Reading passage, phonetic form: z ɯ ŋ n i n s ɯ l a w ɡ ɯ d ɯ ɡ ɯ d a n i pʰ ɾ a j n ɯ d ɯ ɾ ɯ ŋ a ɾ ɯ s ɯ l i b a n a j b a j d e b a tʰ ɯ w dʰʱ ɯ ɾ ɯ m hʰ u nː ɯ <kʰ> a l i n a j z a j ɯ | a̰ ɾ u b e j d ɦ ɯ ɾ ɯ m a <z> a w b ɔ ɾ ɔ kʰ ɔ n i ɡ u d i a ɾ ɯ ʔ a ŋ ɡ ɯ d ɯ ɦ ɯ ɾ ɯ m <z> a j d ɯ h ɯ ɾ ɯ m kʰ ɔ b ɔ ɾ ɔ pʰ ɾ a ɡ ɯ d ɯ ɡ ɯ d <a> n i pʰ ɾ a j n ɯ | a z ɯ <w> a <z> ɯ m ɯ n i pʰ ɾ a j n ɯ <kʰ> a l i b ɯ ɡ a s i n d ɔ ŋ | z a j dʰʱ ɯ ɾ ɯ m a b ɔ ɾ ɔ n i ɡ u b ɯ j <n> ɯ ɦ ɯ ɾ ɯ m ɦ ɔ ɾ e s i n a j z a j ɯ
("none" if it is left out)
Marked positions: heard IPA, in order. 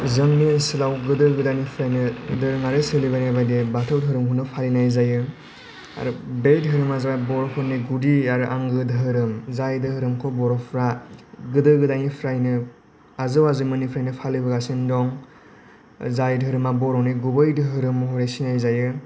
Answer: pʰ, z, z, a, w, z, pʰ, d

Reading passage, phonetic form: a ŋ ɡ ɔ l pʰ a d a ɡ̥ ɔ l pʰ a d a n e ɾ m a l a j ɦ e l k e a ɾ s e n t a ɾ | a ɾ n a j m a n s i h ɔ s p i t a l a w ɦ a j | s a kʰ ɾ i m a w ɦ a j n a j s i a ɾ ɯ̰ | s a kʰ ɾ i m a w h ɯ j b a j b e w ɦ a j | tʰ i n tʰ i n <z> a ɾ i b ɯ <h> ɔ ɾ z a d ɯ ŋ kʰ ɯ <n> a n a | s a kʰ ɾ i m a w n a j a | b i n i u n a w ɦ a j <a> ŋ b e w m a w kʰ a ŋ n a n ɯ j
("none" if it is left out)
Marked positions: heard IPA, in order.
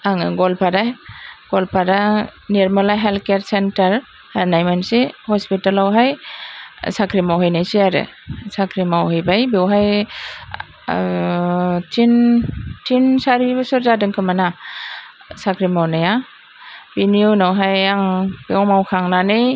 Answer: s, s, m, a

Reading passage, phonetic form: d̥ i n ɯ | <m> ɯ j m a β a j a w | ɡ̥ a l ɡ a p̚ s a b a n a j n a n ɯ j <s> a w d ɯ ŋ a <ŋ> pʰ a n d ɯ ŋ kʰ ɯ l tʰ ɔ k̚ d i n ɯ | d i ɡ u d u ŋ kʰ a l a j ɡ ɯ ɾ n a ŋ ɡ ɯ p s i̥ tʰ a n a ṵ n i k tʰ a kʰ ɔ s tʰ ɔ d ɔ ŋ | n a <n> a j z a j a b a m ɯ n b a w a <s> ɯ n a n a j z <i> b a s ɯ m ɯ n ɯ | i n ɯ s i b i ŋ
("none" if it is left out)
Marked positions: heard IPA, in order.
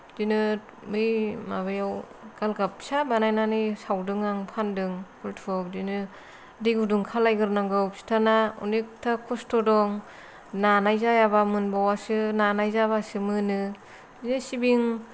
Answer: m, s, ŋ, n, s, a

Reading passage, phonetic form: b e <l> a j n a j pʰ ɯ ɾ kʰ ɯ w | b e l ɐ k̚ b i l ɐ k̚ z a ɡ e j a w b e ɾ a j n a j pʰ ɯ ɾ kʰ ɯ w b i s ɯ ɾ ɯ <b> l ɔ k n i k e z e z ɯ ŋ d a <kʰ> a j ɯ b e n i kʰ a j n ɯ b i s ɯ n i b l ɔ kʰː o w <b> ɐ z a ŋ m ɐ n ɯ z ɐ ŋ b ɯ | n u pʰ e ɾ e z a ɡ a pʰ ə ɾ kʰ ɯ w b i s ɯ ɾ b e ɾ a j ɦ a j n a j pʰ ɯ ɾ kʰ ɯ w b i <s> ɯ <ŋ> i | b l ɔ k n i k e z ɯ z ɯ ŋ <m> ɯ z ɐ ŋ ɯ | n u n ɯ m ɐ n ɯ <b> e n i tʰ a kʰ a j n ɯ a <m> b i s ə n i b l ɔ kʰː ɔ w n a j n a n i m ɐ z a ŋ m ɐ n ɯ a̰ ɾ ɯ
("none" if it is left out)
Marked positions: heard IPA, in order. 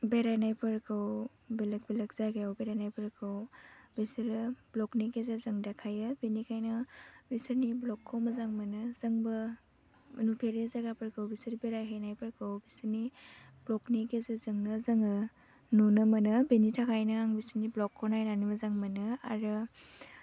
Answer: ɾ, b, kʰ, m, s, n, n, b, ŋ

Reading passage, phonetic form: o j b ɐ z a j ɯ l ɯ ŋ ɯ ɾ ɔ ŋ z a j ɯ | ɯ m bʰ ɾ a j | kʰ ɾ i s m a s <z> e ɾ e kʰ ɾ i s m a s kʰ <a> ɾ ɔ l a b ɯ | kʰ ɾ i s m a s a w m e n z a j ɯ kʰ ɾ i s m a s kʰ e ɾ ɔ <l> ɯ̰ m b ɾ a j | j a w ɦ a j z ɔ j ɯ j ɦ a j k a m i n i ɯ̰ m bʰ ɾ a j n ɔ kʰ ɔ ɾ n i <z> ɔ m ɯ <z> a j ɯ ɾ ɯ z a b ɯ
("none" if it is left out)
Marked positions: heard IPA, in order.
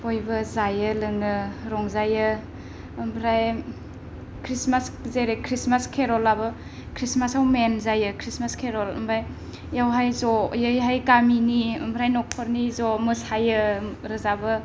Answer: z, e, l, z, s

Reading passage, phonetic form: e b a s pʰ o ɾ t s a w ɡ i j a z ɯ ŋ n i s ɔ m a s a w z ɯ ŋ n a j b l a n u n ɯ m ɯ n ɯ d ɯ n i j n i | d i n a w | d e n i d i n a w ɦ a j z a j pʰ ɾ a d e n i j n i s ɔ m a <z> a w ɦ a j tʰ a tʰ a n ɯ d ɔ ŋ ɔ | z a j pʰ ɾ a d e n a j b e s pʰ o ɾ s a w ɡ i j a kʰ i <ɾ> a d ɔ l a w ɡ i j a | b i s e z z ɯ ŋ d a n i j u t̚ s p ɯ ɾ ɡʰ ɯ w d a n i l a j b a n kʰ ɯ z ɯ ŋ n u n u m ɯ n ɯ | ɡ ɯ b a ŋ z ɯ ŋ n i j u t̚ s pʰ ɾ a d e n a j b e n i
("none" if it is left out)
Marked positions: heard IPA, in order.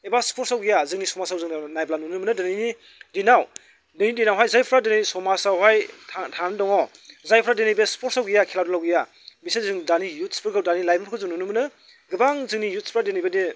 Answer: s, l

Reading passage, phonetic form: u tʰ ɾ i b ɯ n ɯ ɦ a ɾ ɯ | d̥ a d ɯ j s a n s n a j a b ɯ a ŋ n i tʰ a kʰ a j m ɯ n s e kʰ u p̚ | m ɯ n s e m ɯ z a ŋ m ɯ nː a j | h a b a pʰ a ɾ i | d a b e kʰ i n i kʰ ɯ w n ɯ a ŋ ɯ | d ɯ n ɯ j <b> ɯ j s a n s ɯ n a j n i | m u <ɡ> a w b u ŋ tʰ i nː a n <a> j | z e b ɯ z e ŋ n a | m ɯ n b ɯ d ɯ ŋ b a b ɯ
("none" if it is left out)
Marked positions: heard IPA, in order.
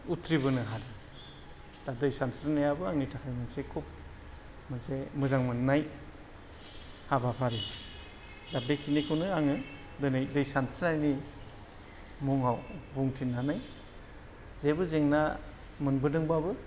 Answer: d, ŋ, a

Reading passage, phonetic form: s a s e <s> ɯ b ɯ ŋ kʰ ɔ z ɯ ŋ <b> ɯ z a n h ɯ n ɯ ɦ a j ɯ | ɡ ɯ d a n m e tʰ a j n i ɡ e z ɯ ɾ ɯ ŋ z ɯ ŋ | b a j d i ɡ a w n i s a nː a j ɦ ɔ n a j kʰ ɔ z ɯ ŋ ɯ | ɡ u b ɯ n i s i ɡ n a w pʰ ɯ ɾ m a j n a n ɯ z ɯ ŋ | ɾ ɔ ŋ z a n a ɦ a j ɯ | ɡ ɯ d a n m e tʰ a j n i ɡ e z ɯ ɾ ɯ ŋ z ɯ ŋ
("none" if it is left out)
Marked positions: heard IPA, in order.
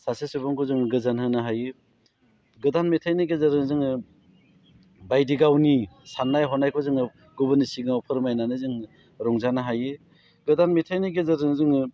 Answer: s, ɡ

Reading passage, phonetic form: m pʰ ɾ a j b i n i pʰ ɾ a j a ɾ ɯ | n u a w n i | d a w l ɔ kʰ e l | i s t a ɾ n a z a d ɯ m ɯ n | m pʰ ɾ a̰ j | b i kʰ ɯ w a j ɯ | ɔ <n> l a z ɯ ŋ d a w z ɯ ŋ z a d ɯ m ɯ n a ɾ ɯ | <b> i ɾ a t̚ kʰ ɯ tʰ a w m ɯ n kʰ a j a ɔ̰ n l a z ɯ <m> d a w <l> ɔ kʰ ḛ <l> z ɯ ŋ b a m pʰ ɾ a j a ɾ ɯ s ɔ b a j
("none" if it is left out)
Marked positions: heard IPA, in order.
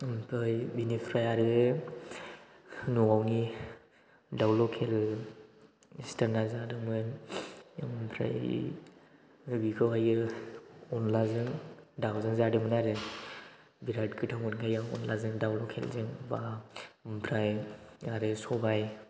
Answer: n, b, ŋ, l, l

